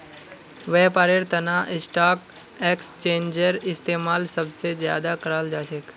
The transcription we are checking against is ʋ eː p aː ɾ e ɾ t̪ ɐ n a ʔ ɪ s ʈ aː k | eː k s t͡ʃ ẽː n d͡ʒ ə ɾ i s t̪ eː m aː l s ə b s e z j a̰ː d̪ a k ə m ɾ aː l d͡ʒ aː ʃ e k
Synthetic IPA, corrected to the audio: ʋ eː p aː ɾ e ɾ t̪ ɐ n a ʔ ɪ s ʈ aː k | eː k s t͡ʃ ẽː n d͡ʒ ə ɾ ɪ s t̪ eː m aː l s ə b s e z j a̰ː d̪ a k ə ɾ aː l d͡ʒ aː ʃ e k